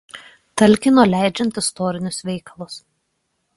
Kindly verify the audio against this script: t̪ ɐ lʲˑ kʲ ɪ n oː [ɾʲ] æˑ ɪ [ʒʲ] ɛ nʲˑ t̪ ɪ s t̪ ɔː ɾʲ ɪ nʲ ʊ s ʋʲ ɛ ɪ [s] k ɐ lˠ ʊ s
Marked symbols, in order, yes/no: no, no, no

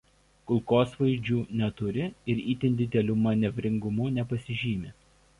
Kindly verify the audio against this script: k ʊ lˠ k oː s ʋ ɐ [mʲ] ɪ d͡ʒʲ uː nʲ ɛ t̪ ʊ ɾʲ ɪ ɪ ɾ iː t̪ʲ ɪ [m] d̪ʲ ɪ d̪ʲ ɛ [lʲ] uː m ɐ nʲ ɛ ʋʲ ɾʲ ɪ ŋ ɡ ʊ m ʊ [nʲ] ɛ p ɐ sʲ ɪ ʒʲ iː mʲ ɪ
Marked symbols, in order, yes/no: no, no, yes, yes

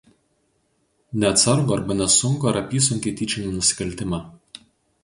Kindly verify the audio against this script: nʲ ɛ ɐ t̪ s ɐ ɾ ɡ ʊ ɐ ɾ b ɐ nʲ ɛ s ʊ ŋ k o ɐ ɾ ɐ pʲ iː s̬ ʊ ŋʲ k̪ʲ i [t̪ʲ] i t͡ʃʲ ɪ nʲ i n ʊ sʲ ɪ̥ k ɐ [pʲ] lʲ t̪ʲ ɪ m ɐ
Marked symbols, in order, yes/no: yes, no

